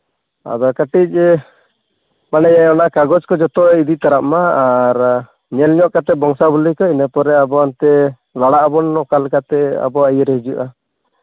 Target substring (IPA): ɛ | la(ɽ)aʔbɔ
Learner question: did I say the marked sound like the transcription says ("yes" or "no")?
yes